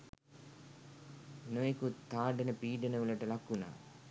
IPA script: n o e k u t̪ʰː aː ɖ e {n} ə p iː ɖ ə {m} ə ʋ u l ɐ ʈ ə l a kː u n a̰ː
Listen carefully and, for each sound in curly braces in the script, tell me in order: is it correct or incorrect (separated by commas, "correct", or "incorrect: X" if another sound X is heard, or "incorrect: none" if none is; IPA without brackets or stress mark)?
correct, incorrect: n